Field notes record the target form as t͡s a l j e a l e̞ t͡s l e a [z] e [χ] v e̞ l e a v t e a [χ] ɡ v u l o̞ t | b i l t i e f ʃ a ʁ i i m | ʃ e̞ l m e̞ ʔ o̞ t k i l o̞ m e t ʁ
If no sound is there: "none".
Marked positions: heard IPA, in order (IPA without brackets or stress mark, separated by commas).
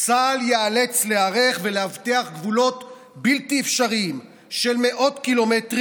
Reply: ʁ, χ, χ